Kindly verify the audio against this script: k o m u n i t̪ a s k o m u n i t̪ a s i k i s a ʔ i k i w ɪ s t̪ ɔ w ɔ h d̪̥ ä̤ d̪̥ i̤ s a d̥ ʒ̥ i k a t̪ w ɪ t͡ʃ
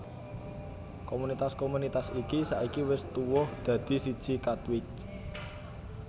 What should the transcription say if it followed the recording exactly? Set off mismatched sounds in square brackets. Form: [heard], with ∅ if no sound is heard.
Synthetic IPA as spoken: k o m u n i t̪ a s k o m u n i t̪ a s i k i s a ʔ i k i w ɪ s t̪ [u] w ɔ h d̪̥ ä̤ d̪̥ i̤ s [i] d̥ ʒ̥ i k a t̪ w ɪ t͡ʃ